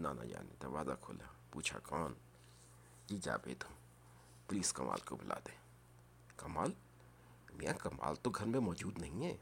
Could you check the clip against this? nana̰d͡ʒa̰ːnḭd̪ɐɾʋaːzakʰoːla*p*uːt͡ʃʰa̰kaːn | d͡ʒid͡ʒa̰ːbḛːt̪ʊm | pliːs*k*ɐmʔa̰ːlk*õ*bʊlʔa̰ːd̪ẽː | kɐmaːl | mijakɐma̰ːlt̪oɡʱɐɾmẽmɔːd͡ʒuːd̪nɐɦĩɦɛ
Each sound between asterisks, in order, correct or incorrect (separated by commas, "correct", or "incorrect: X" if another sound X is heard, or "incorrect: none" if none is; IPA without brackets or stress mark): correct, correct, incorrect: o